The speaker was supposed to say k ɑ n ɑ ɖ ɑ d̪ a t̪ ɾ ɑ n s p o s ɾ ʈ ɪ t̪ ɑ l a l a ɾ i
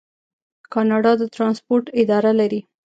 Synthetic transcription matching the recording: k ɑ n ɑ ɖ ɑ d̪ ə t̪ ɾ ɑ n s p o ɾ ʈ ɪ d̪ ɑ ɾ a l a ɾ i